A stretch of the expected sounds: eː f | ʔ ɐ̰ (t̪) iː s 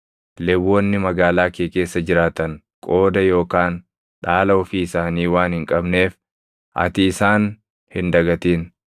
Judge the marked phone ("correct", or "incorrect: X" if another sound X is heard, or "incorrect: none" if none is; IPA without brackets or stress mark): correct